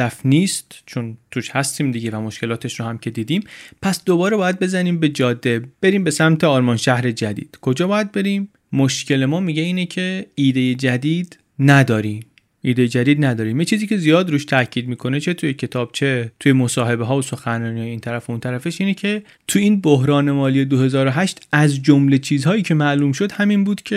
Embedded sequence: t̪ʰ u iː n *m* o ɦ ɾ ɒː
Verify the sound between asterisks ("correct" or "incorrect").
incorrect